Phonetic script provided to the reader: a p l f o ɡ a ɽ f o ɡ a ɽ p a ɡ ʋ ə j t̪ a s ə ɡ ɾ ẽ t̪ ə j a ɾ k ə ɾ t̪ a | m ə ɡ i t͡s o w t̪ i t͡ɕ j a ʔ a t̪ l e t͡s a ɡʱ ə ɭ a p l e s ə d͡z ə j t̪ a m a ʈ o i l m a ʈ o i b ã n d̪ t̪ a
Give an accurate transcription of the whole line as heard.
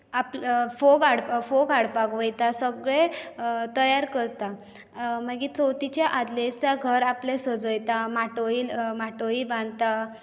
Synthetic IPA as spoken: a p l f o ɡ a ɽ f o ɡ a ɽ p a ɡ ʋ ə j t̪ a s ə ɡ ɭ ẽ t̪ ə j a ɾ k ə ɾ t̪ a | m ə ɡ i t͡s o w t̪ i t͡ɕ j a ʔ a d̪ l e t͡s a ɡʱ ə ɾ a p l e s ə d͡z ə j t̪ a m a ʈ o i l m a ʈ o i b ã n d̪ t̪ a

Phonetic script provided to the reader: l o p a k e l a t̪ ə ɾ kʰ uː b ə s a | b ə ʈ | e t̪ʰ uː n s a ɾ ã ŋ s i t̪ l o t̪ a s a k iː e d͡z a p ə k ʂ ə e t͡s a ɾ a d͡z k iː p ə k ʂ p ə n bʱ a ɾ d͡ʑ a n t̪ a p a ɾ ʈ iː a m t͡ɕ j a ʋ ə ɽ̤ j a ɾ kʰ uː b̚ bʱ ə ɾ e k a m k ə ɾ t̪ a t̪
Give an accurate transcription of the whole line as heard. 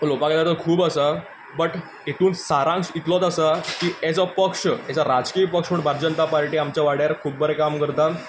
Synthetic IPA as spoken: l o p a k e l a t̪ ə ɾ kʰ uː b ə s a | b ə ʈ | e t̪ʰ uː n s a ɾ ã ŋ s i t̪ l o t̪ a s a k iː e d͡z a p ə k ʂ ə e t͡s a ɾ a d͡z k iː p ə k ʂ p ə ɳ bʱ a ɾ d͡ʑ ə n t̪ a p a ɾ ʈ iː a m t͡ɕ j a ʋ a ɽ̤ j a ɾ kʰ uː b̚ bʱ ə ɾ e k a m k ə ɾ t̪ a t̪

